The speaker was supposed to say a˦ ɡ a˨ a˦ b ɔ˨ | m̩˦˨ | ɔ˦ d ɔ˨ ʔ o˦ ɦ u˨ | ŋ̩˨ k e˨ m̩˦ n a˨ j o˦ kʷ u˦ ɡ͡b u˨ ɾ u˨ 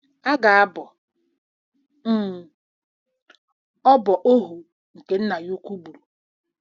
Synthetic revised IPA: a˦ ɡ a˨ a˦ b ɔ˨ | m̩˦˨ | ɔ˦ b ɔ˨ ʔ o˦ ɦ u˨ | ŋ̩˨ k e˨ n̩˦ n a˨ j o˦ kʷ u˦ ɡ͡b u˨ ɾ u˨